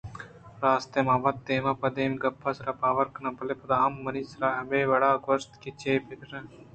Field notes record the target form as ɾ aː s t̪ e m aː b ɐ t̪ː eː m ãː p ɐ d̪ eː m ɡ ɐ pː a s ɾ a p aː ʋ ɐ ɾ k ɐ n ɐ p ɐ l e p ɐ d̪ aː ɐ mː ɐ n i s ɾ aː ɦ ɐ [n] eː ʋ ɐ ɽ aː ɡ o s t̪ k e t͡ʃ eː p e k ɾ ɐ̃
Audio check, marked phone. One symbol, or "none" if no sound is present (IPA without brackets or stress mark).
m